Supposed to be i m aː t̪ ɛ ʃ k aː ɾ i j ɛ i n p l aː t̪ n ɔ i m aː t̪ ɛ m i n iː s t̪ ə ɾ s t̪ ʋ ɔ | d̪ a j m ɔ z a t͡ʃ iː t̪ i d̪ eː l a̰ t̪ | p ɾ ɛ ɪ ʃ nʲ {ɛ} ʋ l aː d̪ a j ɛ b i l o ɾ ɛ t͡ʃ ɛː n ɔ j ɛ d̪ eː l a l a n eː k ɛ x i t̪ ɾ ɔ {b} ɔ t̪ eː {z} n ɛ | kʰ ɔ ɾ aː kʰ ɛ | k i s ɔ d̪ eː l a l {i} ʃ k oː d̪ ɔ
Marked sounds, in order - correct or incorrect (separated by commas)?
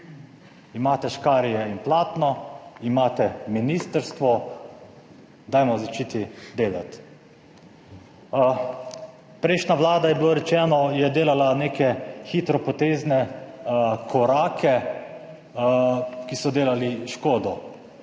incorrect, incorrect, correct, correct